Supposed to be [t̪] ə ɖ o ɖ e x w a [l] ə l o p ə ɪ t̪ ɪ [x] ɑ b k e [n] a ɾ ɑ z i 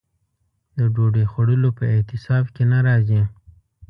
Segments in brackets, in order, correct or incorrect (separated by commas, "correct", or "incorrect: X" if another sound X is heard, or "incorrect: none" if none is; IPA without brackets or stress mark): incorrect: d̪, incorrect: ɽ, incorrect: s, correct